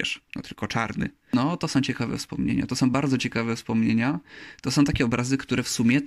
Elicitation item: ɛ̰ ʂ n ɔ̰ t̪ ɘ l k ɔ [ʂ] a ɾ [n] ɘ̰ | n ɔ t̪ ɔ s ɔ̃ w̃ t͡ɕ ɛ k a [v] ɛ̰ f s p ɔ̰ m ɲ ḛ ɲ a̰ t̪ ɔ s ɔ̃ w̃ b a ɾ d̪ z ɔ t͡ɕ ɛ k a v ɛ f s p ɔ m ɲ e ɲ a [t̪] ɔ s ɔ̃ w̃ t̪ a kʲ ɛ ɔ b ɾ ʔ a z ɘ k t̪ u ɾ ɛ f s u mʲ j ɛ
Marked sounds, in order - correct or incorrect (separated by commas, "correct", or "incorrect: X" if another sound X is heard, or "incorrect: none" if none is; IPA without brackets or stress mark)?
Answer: incorrect: t͡ʂ, correct, correct, correct